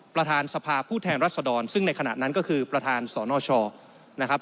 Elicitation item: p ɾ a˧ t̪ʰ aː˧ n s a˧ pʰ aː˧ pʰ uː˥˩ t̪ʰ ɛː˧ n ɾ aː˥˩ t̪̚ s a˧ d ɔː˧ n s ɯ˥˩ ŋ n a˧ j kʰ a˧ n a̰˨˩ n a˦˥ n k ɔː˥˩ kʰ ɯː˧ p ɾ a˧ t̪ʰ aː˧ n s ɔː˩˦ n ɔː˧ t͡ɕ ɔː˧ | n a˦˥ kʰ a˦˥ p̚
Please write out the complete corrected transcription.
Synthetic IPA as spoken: p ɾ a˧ t̪ʰ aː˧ n s a˧ pʰ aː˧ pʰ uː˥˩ t̪ʰ ɛː˧ n ɾ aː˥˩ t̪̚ s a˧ d ɔː˧ n s ɯ˥˩ ŋ n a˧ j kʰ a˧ n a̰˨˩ n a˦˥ n k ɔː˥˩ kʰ ɯː˧ p ɾ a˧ t̪ʰ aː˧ n s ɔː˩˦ n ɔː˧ t͡ɕʰ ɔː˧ | n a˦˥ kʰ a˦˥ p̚